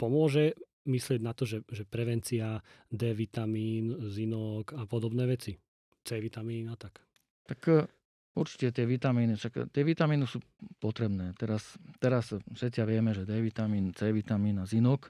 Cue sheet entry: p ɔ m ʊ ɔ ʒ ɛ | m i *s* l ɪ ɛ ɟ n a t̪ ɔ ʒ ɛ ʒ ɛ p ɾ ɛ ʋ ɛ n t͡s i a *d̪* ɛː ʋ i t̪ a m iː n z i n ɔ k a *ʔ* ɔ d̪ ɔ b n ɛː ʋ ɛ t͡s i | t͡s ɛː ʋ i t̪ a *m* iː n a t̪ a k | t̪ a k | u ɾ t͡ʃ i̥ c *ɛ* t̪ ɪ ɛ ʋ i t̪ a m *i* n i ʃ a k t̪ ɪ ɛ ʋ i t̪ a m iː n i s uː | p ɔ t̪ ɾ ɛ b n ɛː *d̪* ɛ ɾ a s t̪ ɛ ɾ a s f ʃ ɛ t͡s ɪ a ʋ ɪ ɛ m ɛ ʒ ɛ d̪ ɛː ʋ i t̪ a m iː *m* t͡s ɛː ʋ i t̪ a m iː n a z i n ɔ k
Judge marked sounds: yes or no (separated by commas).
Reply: yes, yes, no, yes, yes, no, no, no